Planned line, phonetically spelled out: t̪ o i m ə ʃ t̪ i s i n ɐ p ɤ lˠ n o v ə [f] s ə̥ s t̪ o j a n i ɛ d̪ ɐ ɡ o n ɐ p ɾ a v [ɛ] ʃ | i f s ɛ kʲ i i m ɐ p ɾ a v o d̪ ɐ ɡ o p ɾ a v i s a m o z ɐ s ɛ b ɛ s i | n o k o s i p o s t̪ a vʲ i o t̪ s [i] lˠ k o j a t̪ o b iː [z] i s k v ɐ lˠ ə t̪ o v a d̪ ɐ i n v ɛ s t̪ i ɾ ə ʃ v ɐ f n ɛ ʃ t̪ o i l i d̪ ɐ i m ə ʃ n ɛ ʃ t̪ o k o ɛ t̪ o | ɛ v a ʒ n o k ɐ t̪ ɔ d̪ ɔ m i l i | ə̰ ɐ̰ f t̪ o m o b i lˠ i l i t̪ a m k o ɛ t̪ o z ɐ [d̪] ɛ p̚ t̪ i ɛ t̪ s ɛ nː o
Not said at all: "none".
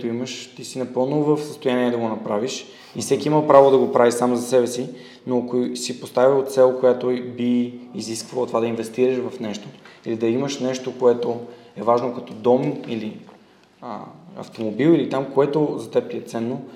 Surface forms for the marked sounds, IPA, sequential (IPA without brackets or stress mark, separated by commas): f, i, ɛ, z, t̪